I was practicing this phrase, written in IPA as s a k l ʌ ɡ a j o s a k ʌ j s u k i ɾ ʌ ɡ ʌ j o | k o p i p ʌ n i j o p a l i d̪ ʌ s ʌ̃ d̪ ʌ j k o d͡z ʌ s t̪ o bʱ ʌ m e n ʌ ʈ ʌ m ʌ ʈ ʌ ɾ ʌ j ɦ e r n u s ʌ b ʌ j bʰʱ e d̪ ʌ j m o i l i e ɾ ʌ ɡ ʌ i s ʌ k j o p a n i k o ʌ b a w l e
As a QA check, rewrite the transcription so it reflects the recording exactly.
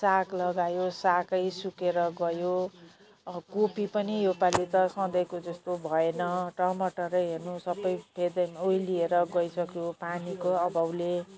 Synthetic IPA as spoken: s a k l ʌ ɡ a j o s a k ʌ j s u k e ɾ ʌ ɡ ʌ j o | k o p i p ʌ n i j o p a l i t̪ ʌ s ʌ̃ d̪ ʌ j k o d͡z ʌ s t̪ o bʱ ʌ e n ʌ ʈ ʌ m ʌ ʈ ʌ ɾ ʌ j ɦ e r n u s ʌ b ʌ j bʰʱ e d̪ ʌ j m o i l i e ɾ ʌ ɡ ʌ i s ʌ k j o p a n i k o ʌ b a w l e